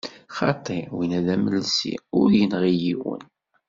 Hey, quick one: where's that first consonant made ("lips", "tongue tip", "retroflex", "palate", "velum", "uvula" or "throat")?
uvula